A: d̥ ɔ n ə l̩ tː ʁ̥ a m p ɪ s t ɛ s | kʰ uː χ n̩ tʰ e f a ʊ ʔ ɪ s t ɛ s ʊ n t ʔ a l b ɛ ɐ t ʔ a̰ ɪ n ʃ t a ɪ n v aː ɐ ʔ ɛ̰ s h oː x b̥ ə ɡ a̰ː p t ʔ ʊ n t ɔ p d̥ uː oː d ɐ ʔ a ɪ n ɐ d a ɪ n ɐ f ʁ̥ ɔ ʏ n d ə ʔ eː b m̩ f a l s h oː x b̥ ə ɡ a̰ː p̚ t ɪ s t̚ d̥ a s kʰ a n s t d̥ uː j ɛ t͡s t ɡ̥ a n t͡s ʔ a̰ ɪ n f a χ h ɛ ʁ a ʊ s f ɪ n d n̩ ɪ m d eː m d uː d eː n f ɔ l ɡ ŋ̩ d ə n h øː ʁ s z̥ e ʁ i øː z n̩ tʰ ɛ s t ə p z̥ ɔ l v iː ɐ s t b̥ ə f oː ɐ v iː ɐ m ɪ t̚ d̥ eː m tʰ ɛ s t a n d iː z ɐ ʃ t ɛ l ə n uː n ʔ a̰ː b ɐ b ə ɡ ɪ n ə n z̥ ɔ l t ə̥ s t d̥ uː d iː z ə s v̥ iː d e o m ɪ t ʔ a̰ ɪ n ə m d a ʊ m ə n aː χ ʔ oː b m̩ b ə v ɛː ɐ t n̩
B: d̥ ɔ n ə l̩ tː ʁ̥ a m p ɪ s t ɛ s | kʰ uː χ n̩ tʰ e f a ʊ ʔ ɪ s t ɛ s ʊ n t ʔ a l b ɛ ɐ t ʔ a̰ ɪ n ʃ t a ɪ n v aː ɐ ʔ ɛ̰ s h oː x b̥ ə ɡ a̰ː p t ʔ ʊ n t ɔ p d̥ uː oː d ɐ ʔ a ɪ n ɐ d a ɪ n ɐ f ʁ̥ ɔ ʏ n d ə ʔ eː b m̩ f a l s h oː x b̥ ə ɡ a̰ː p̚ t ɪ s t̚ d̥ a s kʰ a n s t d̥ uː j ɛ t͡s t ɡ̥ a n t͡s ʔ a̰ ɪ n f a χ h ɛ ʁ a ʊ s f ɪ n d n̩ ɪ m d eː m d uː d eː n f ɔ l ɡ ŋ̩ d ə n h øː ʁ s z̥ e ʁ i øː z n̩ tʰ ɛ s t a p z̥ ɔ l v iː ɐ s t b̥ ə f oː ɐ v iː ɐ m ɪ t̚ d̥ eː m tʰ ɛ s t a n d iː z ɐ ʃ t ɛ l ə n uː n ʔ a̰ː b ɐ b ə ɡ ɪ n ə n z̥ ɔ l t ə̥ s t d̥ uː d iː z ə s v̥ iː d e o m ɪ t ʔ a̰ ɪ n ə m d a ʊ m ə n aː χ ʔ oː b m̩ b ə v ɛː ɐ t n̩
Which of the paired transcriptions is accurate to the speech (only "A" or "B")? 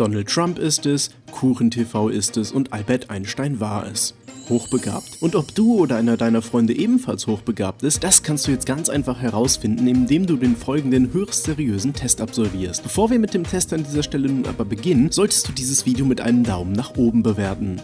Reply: B